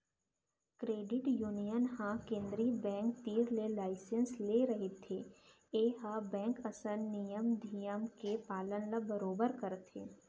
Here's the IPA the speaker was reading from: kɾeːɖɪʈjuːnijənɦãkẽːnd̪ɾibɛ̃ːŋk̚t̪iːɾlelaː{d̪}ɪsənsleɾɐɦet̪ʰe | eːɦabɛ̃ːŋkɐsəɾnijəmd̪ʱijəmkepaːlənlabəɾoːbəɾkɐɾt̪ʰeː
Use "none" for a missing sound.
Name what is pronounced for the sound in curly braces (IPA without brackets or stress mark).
none